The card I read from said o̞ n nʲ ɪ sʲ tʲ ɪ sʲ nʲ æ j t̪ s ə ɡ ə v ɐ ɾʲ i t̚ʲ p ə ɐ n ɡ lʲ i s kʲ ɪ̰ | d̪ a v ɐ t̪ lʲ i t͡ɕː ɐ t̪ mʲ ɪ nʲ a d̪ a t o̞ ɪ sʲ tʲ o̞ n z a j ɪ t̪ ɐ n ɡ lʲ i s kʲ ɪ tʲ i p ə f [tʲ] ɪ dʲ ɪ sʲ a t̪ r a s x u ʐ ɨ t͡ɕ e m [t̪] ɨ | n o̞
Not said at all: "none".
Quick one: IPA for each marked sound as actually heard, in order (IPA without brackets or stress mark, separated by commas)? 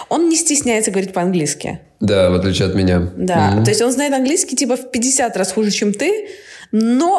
pʲ, t̪